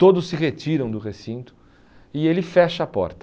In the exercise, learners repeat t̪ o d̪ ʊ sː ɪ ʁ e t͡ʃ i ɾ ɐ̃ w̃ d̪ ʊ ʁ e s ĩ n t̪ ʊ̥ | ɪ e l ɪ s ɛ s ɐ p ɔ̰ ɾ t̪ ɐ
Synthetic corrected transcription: t̪ o d̪ ʊ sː ɪ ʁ e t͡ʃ i ɾ ɐ̃ w̃ d̪ ʊ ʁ e s ĩ n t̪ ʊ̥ | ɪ e l ɪ f ɛ ʃ ɐ p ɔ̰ ɾ t̪ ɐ

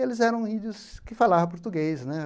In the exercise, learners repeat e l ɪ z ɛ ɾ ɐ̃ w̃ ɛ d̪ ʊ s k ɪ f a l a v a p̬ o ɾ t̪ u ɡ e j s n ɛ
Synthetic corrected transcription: e l ɪ z ɛ ɾ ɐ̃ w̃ i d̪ ʊ s k ɪ f a l a v ɐ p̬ o ɾ t̪ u ɡ e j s n ɛ

